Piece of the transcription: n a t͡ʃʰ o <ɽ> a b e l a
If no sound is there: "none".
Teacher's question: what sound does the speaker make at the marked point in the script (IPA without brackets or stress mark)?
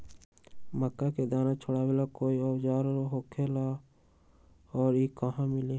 ɽ